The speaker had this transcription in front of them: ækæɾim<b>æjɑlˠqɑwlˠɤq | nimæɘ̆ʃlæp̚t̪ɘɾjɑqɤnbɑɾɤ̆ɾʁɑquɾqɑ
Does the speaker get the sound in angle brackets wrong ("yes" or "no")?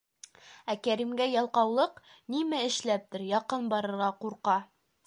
yes